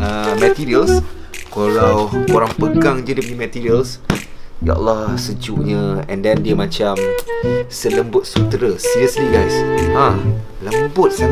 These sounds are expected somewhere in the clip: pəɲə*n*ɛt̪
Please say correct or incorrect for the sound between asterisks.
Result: incorrect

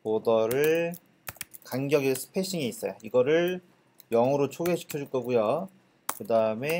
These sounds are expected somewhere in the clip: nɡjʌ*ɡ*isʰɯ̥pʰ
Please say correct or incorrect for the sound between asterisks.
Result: correct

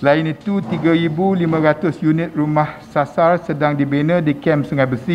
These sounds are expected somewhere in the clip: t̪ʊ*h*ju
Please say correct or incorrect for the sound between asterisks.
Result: incorrect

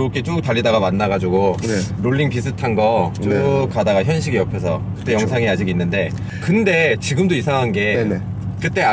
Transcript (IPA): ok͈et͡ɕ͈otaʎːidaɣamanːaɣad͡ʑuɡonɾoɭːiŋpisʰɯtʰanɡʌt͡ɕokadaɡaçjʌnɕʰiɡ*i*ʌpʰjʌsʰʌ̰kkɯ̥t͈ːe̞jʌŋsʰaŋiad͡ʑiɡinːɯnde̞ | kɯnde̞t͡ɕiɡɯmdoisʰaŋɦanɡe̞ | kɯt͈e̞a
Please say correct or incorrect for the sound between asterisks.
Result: correct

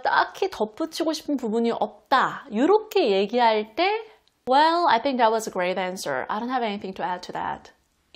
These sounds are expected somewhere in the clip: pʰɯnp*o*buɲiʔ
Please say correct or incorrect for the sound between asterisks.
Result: incorrect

